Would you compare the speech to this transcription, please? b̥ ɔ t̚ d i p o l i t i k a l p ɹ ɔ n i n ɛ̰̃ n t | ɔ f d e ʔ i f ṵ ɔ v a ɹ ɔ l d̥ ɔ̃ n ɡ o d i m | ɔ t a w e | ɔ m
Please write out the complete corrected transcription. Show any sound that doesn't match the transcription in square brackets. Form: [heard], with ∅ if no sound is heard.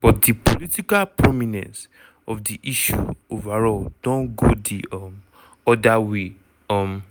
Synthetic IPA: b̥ ɔ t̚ d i p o l i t i k a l p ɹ ɔ [m] i n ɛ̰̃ n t | ɔ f d [i] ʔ i [ʃ] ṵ [o] v a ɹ ɔ l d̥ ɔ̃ n ɡ o d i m | ɔ [d] a w e | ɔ m

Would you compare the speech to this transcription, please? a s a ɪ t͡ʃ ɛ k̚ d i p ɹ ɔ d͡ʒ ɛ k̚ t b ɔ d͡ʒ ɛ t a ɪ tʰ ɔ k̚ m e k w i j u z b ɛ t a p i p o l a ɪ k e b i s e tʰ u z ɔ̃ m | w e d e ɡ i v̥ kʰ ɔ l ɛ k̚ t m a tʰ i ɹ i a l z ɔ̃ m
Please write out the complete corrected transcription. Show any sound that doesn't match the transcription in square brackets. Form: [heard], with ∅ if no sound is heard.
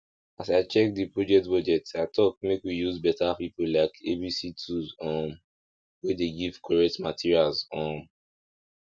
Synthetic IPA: a s a ɪ t͡ʃ ɛ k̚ d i p ɹ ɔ d͡ʒ ɛ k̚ t b ɔ d͡ʒ ɛ t a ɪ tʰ ɔ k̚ m e k w i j u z b ɛ t a p i p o l a ɪ k e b i s [i] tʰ u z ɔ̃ m | w e d e ɡ i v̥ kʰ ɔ [ɹ] ɛ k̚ t m a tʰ i ɹ i a l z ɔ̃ m

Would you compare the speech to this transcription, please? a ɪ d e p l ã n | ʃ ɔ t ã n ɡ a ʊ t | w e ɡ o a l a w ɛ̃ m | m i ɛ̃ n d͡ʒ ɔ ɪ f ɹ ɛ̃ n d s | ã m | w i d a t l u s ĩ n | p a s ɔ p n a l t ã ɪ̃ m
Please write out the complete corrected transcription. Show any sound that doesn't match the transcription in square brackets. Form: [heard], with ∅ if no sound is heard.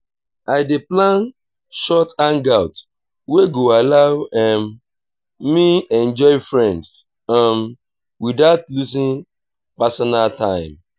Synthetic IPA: a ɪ d e p l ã n | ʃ ɔ t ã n ɡ a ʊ t | w e ɡ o a l a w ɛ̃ m | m i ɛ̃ n d͡ʒ ɔ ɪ f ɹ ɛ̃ n d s | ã m | w i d a t l u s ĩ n | p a s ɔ [∅] n a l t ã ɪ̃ m

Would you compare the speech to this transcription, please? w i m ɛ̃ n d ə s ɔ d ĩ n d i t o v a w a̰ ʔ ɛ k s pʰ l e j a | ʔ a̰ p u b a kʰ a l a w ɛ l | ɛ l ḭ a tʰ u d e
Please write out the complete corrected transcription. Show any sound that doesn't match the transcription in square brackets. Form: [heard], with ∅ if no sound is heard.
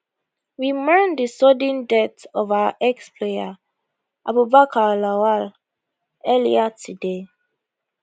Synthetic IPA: w i m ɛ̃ n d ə s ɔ d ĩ n d [ɛ] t [ɔ] v a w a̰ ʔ ɛ k s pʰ l e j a | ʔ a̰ [b] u b a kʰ a l a w [a] l | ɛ l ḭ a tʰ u d e

